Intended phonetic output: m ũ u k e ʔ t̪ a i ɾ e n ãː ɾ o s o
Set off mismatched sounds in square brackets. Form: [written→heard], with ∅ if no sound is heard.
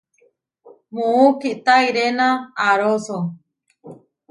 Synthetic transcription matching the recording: m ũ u k [e→i] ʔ t̪ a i ɾ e n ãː ɾ o s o